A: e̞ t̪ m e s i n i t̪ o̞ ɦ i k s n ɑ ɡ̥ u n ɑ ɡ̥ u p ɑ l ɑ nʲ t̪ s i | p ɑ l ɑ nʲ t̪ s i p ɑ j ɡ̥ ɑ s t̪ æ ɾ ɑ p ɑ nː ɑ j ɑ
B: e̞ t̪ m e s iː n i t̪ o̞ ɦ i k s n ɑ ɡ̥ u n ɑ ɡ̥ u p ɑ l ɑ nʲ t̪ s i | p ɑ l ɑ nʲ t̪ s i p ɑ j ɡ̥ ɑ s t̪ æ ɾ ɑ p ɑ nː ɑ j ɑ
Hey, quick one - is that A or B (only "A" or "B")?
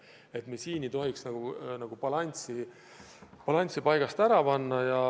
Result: B